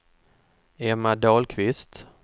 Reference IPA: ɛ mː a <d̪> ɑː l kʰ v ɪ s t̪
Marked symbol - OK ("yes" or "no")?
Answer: yes